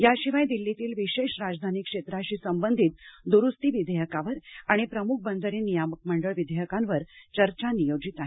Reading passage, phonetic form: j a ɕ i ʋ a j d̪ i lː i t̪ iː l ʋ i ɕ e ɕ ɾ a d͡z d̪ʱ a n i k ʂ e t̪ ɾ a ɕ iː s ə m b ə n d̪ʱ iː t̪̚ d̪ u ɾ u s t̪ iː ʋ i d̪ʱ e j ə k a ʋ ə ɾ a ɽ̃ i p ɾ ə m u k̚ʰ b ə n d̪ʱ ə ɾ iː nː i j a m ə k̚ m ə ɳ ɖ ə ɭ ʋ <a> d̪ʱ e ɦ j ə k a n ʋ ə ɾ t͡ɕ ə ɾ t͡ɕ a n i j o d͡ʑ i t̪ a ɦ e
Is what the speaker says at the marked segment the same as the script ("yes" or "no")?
no